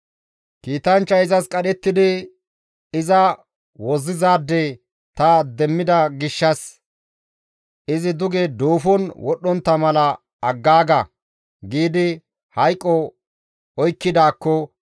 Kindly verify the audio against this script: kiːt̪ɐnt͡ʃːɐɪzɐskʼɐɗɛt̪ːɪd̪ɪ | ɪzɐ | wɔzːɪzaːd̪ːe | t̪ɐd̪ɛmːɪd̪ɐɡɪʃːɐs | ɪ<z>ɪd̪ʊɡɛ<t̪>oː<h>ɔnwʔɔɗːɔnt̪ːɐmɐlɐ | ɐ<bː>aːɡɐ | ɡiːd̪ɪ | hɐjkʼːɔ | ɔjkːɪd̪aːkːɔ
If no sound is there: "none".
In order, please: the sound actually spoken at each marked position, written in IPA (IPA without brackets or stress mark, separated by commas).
z, d̪, f, ɡː